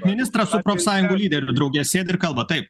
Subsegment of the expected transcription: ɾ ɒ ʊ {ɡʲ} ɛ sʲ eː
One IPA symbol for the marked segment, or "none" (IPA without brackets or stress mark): ɡʲ